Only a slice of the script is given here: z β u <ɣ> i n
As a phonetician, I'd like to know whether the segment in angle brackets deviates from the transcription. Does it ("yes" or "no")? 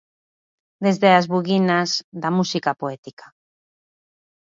no